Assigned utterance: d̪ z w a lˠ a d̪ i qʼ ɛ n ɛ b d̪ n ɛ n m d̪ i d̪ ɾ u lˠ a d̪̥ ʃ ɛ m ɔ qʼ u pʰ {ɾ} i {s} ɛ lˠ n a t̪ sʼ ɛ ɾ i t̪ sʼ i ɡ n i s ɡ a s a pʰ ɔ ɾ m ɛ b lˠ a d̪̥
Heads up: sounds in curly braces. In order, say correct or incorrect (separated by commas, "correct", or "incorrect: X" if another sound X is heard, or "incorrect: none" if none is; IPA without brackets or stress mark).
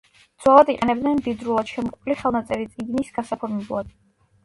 incorrect: l, incorrect: χ